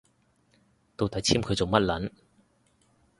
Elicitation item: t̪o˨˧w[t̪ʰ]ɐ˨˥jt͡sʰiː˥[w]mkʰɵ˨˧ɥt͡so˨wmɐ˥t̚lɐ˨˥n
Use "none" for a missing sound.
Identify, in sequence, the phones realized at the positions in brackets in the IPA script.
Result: t̪, none

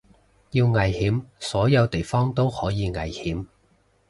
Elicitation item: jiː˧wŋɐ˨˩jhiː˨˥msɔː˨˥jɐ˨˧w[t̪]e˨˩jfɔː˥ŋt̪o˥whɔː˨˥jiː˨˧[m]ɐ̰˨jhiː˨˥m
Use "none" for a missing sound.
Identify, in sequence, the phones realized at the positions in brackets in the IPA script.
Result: t̪, ŋ

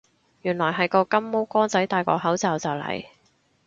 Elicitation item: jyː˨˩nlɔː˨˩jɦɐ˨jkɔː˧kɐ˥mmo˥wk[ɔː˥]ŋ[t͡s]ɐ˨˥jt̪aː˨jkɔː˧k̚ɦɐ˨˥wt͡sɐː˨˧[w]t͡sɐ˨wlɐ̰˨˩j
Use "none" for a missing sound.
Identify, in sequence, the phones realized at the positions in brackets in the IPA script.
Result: ɔː˥, t͡s, w

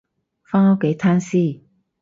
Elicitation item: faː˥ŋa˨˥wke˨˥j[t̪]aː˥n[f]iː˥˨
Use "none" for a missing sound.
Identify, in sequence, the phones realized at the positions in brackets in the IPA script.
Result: t̪ʰ, s

